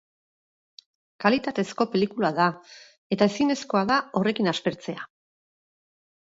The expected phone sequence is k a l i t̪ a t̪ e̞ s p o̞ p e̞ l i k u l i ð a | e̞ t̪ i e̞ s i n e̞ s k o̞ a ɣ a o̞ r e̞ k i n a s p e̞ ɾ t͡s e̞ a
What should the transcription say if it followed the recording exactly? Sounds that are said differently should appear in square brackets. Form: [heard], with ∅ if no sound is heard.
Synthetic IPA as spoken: k a l i t̪ a t̪ e̞ s [k] o̞ p e̞ l i k u l [a] ð a | e̞ t̪ [a] e̞ s i n e̞ s k o̞ a [ð] a o̞ r e̞ k i n a s p e̞ ɾ t͡s e̞ a